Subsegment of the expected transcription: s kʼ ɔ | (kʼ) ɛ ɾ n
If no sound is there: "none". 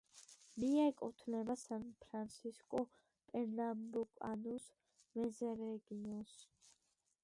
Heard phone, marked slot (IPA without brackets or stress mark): pʼ